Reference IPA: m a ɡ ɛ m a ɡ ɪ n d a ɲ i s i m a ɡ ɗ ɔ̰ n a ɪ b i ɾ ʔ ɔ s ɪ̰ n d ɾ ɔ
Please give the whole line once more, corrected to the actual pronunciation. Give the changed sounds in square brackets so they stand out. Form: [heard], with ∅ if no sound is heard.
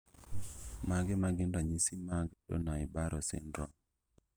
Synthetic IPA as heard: m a ɡ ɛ m a ɡ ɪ n d a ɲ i s i m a ɡ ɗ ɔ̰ n a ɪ b [a] ɾ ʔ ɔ s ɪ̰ n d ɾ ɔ